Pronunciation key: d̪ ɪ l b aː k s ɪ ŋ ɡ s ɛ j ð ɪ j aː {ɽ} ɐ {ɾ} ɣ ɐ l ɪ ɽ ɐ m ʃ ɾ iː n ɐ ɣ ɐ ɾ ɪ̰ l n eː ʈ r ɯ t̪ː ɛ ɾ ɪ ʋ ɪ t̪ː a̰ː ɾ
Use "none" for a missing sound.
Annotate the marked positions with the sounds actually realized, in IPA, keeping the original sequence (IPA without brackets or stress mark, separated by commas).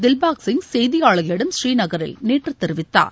ɭ, none